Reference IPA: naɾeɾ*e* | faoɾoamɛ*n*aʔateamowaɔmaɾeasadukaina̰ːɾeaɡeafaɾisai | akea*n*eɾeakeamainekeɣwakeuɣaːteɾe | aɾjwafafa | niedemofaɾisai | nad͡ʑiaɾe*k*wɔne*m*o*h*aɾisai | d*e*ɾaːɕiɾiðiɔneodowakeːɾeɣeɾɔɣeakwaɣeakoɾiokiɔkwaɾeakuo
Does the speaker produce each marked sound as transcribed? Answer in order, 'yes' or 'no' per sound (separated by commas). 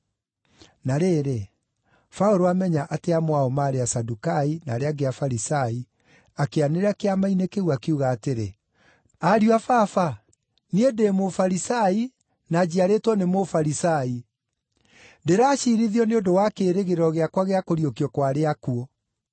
yes, no, yes, no, yes, no, yes